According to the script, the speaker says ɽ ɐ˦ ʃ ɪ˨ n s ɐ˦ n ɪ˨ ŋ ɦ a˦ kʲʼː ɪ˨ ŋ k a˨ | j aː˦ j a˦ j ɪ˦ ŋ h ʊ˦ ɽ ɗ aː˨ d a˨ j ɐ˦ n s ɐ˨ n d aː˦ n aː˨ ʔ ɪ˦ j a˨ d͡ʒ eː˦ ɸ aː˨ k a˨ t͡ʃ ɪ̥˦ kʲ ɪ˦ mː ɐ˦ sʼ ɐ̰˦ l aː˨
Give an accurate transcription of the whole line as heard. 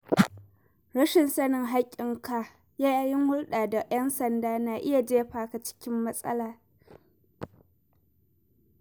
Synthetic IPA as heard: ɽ ɐ˦ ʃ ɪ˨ n s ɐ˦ n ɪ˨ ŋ ɦ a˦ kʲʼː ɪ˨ ŋ k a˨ | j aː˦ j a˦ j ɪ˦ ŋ h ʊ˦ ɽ ɗ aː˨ d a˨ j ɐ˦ n s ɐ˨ n d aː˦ n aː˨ ʔ ɪ˦ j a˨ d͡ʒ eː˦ ɸ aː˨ k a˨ t͡ʃ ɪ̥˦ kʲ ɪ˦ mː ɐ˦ sʼ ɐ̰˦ l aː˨